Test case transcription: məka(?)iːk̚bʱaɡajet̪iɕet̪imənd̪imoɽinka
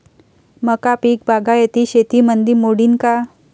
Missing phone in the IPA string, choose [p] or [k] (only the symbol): p